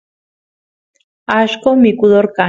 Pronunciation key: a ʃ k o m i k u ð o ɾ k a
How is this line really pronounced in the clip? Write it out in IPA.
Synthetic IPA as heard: a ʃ k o m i k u ð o ɾ k a